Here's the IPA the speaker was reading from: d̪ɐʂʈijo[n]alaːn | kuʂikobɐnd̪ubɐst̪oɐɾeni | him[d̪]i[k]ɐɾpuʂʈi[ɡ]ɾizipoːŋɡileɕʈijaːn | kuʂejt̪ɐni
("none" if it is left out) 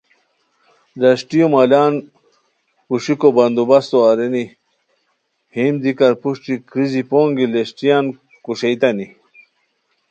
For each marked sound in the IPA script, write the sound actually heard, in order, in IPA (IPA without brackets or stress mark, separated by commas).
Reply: m, d̪, k, k